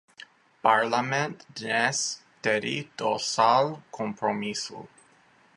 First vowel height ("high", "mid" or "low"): low